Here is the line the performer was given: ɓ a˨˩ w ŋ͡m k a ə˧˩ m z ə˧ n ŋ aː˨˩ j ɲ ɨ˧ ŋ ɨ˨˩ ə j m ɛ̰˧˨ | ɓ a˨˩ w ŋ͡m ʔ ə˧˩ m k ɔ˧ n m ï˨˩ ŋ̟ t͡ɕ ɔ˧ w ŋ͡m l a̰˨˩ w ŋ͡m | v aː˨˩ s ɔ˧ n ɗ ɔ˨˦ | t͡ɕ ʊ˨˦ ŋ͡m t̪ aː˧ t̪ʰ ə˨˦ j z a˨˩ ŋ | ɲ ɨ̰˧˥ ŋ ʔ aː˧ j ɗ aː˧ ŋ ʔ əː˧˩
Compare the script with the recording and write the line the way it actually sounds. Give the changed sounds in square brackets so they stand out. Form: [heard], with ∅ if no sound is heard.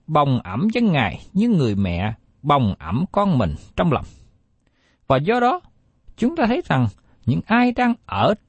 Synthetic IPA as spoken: ɓ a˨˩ w ŋ͡m [ʔ] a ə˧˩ m z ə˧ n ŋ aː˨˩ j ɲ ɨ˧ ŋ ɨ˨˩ ə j m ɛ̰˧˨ | ɓ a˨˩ w ŋ͡m ʔ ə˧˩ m k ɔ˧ n m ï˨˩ ŋ̟ t͡ɕ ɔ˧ w ŋ͡m l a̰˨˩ w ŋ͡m | v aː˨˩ [z] ɔ˧ [∅] ɗ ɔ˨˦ | t͡ɕ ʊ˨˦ ŋ͡m t̪ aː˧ t̪ʰ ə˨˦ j z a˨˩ ŋ | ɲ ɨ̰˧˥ ŋ ʔ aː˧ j ɗ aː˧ ŋ ʔ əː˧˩